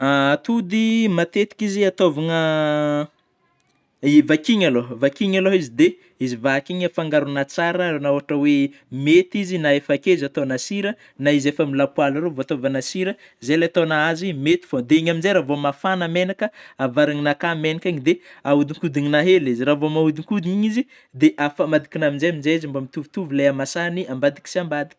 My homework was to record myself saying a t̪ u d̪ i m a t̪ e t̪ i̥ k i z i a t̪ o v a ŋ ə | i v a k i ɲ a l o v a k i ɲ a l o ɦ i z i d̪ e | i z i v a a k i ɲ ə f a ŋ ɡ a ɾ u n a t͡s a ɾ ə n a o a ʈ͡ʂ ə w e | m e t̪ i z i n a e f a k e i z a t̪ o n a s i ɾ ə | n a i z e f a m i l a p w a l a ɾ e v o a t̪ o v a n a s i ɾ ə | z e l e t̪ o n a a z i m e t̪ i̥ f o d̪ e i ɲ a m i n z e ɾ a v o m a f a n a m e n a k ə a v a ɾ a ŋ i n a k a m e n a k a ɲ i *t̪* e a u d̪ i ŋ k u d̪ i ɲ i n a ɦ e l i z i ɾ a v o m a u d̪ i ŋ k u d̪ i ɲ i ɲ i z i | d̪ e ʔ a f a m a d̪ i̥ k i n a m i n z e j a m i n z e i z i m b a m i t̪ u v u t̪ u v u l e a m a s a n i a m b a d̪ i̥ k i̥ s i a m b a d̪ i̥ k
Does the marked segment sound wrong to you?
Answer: yes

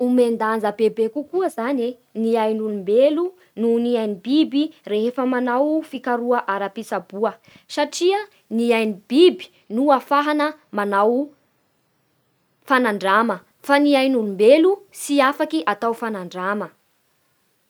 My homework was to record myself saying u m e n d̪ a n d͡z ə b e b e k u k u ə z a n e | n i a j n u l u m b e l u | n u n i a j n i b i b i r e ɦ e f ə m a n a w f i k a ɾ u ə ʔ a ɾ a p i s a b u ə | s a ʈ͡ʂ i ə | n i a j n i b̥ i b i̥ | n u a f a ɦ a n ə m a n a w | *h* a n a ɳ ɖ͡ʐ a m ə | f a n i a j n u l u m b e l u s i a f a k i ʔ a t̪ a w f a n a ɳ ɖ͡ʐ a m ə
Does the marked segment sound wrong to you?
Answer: yes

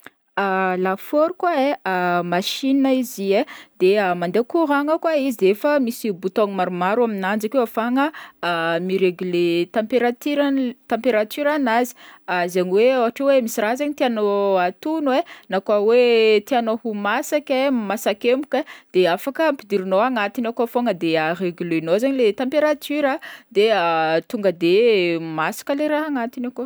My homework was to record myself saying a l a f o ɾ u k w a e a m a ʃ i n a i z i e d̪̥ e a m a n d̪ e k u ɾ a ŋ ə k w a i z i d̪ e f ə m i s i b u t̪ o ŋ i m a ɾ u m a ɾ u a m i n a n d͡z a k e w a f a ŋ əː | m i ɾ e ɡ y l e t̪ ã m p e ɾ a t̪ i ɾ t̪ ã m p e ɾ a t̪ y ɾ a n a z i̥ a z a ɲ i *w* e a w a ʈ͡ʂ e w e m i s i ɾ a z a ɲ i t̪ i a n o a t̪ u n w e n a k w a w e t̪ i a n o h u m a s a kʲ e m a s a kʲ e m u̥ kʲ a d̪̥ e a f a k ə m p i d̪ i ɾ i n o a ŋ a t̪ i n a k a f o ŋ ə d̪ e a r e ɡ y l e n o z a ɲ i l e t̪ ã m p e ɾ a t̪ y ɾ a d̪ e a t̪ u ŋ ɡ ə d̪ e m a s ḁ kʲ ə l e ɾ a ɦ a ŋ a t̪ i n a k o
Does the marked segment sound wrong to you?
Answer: no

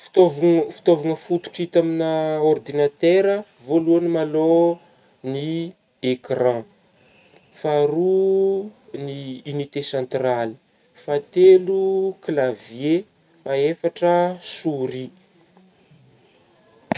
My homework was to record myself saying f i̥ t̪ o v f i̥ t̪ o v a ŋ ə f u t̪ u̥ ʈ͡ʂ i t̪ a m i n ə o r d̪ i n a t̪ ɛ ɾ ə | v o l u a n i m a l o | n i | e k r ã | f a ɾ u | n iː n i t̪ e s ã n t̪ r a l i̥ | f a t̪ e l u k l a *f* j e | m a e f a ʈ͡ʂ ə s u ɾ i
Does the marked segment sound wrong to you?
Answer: yes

